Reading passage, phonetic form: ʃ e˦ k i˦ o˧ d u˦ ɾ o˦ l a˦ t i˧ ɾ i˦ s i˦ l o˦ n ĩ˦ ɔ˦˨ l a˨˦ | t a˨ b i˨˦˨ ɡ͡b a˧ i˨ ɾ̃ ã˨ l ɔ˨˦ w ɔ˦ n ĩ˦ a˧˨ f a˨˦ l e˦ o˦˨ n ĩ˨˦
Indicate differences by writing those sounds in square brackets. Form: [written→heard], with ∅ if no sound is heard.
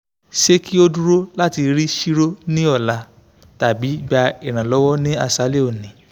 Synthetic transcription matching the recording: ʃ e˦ k i˦ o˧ d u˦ ɾ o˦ l a˦ t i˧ ɾ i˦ [s→ʃ] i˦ [l→ɾ] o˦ n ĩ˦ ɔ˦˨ l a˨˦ | t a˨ b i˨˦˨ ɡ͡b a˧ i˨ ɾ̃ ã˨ l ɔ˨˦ w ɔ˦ n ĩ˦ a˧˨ [f→s] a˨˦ l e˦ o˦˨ n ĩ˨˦

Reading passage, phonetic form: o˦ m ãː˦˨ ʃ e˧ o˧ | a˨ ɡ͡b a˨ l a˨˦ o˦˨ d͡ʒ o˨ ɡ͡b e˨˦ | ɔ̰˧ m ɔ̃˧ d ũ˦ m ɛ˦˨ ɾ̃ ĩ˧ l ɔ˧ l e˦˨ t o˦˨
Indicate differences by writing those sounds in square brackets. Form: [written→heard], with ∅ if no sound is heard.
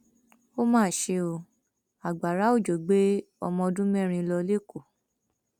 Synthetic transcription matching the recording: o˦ m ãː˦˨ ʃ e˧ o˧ | a˨ ɡ͡b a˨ [l→ɾ] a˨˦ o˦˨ d͡ʒ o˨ ɡ͡b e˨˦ | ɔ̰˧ m ɔ̃˧ d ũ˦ m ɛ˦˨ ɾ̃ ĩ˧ l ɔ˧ l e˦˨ [t→k] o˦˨

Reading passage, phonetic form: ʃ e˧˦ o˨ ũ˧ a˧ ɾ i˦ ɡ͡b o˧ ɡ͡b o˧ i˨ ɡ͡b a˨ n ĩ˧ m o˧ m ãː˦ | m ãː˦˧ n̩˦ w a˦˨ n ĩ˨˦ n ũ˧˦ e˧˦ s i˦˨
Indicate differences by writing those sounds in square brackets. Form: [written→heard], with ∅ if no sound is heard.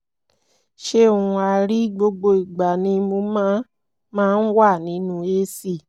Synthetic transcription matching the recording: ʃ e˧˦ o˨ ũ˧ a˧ ɾ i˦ ɡ͡b o˧ ɡ͡b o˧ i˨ ɡ͡b a˨ n ĩ˧ m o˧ m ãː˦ | m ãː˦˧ n̩˦ w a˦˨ n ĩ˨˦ n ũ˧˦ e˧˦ s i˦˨

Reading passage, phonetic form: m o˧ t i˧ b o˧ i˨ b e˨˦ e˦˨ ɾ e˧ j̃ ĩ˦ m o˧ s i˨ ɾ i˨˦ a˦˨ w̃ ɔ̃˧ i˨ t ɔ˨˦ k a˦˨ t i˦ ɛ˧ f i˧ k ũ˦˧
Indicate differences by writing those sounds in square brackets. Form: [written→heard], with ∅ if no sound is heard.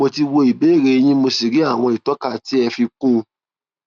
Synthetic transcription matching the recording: m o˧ t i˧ [b→w] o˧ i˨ b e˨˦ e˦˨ ɾ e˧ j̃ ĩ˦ m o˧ s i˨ ɾ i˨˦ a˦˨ w̃ ɔ̃˧ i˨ t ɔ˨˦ k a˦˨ t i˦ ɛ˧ f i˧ k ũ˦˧

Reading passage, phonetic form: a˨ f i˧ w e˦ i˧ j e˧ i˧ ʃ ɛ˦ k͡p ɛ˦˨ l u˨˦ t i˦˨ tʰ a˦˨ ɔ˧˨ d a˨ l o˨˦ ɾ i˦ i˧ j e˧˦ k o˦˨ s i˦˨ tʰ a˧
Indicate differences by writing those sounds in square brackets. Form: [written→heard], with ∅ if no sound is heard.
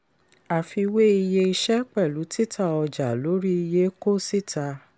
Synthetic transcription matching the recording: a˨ f i˧ w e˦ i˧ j e˧ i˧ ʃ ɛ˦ k͡p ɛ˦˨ l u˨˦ t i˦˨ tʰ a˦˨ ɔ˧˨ [d→d͡ʒ] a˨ l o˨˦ ɾ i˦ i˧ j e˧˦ k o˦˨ s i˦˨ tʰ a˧

